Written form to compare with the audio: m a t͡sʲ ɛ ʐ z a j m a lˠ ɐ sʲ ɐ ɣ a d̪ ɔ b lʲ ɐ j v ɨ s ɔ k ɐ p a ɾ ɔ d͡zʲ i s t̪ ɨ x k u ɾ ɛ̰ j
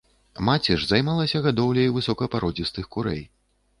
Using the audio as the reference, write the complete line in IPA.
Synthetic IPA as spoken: m a t͡sʲ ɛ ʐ z a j m a lˠ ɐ sʲ ɐ ɣ a d̪ ɔ w lʲ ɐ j v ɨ s ɔ k ɐ p a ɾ ɔ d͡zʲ i s t̪ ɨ x k u ɾ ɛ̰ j